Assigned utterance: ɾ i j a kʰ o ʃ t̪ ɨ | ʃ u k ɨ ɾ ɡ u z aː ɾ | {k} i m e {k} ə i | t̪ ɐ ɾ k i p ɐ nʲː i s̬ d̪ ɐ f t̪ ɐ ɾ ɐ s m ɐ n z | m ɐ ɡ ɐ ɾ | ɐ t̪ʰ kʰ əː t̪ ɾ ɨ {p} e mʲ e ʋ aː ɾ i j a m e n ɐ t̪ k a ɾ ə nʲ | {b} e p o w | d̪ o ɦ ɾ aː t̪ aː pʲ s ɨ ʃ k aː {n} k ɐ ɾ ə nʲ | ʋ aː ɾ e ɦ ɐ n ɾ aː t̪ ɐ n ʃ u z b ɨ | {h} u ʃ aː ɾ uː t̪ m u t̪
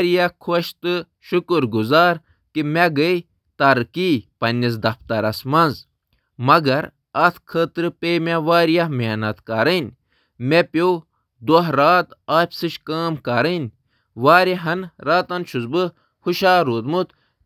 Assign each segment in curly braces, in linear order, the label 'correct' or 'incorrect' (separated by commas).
correct, incorrect, correct, incorrect, incorrect, correct